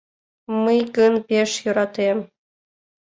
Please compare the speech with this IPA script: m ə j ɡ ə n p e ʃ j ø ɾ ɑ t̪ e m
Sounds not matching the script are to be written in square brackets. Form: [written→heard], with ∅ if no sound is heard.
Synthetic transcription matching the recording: m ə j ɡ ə n p e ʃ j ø ɾ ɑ t̪ e m